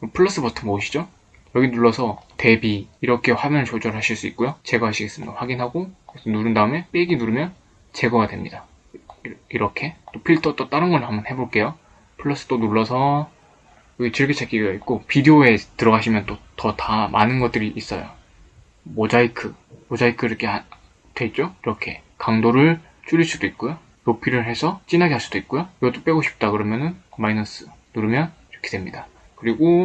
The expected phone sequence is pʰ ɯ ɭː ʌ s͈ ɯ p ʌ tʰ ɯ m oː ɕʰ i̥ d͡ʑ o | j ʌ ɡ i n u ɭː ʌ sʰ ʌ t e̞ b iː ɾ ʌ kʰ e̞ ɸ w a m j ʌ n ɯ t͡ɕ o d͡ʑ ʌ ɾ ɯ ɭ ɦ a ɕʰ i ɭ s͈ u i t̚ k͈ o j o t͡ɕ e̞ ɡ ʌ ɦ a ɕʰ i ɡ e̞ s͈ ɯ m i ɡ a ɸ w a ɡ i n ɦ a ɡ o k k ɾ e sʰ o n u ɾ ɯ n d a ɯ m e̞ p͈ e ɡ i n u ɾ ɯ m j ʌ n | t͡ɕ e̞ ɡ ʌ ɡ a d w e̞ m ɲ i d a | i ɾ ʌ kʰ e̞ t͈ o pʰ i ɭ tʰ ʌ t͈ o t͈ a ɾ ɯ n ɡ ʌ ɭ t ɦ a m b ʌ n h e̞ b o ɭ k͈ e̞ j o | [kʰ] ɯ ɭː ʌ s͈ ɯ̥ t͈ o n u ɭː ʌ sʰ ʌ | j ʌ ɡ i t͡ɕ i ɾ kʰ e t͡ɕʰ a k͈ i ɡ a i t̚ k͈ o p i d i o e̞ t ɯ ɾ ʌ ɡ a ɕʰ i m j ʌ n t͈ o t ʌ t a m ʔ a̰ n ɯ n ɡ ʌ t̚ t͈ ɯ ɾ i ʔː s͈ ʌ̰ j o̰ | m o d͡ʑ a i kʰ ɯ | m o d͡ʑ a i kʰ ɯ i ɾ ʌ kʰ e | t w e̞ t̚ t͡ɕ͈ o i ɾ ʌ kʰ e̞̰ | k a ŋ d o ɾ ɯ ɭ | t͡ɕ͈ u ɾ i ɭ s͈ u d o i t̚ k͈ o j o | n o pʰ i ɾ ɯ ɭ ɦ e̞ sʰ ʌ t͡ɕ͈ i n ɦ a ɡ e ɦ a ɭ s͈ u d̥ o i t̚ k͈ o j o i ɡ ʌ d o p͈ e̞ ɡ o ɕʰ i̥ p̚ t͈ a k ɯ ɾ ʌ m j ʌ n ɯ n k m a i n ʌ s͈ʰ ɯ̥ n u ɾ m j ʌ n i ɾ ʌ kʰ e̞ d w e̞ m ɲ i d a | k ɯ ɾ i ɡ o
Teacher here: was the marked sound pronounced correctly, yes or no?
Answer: no